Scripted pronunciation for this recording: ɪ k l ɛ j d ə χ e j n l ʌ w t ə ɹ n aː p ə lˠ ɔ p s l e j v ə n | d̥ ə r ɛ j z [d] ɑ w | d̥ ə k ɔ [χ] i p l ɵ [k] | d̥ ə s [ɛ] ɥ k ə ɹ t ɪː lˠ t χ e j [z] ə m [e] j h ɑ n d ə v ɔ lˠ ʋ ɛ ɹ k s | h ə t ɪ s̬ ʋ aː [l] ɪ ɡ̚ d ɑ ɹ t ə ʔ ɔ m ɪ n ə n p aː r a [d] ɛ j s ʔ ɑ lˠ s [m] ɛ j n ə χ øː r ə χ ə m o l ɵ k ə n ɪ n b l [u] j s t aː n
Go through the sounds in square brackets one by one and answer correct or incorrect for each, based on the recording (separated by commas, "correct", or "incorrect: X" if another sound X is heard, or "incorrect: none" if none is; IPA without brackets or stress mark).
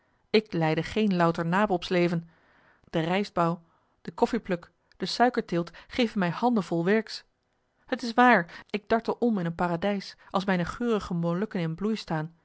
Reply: incorrect: b, incorrect: f, correct, incorrect: œ, incorrect: v, incorrect: ɛ, incorrect: ɹ, correct, correct, correct